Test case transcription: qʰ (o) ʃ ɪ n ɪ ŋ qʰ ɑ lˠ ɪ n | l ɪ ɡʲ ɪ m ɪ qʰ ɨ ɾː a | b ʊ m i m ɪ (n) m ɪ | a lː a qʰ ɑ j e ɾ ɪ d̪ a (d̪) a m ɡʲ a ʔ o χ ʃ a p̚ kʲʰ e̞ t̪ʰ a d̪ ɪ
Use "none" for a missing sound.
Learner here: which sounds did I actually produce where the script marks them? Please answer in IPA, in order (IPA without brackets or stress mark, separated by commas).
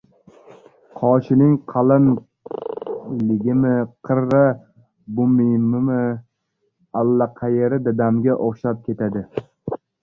ɒ, none, d̪